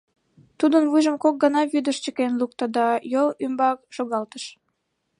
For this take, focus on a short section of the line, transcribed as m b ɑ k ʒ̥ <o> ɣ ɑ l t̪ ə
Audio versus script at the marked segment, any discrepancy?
no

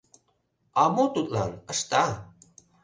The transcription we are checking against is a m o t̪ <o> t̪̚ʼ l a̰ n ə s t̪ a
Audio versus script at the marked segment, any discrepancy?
yes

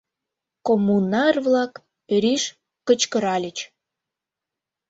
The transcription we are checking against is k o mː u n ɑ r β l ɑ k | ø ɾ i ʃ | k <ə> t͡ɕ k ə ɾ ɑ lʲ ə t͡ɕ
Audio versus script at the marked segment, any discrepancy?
no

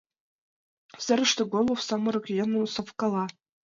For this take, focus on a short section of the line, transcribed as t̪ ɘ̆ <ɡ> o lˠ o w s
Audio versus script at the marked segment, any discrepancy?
no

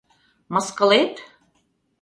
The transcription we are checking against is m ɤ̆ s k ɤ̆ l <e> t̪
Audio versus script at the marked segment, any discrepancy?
no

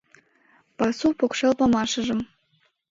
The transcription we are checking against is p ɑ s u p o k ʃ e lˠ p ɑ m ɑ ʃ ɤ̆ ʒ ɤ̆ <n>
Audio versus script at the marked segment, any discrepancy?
yes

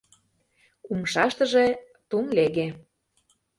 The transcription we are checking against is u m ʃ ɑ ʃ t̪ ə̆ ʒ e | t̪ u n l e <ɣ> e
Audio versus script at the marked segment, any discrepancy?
no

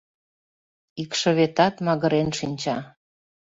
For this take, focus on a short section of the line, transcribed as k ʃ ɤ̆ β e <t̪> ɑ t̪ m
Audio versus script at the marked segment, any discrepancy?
no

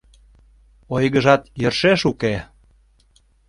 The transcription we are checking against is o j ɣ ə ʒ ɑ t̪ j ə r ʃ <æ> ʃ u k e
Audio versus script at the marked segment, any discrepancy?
yes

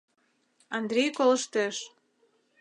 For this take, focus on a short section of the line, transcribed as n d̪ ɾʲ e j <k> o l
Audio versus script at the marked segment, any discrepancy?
no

